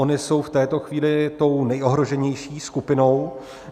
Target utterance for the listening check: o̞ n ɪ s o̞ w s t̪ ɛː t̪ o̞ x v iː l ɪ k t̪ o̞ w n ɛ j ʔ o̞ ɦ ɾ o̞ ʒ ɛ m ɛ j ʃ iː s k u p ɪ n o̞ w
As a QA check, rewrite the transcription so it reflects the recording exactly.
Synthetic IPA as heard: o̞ n ɪ s o̞ w f t̪ ɛː t̪ o̞ x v iː l ɪ t̪ o̞ w n ɛ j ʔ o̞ ɦ ɾ o̞ ʒ ɛ ɲ ɛ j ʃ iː s k u p ɪ n o̞ w

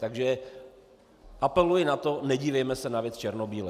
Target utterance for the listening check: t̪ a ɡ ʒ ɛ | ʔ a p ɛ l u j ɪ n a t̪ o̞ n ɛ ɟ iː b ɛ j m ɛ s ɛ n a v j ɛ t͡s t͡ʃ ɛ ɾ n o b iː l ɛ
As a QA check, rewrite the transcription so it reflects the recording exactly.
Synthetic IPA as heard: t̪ a ɡ ʒ ɛ | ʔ a p ɛ l u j ɪ n a t̪ o̞ n ɛ ɟ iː v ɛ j m ɛ s ɛ n a v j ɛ t͡s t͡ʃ ɛ ɾ n o b iː l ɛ

